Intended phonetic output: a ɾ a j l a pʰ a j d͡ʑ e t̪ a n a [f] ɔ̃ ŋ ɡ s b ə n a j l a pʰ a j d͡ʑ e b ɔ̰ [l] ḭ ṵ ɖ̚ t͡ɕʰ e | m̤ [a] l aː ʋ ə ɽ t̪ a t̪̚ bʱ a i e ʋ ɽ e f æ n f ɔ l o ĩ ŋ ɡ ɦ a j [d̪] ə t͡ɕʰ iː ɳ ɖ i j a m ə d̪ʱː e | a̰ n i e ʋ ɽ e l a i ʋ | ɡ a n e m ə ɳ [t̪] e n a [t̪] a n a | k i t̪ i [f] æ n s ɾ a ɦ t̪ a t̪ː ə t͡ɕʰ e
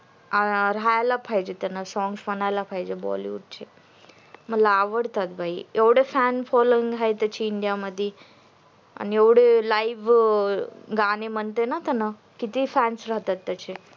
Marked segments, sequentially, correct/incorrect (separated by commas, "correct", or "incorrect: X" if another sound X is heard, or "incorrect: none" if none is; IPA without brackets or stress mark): incorrect: s, correct, incorrect: ə, incorrect: t̪, correct, correct, correct